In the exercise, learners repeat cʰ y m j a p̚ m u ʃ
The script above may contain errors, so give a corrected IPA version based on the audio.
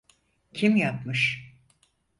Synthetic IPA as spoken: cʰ i m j a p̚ m ɯ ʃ